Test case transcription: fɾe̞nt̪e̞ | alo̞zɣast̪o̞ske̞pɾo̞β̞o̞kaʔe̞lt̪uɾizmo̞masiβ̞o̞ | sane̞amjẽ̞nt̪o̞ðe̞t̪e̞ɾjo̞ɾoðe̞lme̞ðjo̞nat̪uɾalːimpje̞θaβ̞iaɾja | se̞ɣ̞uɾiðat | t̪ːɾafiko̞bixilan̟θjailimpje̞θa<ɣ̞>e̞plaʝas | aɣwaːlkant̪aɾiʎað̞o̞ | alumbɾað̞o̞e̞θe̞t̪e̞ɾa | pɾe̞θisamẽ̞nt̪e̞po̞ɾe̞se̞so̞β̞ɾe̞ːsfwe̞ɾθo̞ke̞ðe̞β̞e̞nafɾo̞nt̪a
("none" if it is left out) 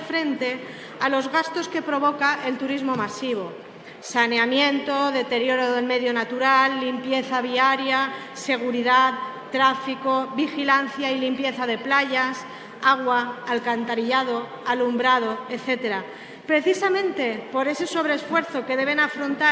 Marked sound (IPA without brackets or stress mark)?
ð̞